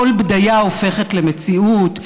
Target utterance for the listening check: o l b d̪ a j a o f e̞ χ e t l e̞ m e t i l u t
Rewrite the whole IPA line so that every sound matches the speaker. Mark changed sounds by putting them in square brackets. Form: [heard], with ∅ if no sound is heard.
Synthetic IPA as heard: o l b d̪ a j a o f e̞ χ e t l e̞ m e [t͡s] i [∅] u t